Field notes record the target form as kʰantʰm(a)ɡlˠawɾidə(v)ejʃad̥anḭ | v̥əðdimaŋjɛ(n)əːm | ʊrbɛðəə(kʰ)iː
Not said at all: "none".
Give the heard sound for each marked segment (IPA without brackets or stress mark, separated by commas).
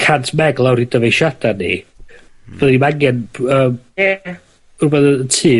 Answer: ɛ, v, n, tʰ